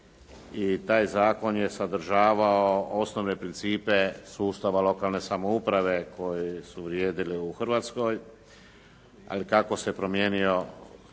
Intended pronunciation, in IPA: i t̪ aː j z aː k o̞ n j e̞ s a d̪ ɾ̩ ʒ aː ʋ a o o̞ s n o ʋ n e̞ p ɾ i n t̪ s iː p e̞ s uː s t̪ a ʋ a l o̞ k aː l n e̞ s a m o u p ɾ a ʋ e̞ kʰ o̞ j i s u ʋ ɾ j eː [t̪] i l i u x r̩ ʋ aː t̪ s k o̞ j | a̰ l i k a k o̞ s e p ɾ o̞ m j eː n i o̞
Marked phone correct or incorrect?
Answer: incorrect